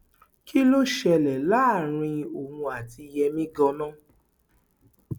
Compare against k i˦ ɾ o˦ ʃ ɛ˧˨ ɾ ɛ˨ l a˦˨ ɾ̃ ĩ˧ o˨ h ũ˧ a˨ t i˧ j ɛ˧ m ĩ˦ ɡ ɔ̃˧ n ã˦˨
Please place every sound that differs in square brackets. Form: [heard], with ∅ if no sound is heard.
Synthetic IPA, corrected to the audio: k i˦ [l] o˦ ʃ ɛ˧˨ [l] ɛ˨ l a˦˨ ɾ̃ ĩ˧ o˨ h ũ˧ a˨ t i˧ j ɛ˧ m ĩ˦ ɡ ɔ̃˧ n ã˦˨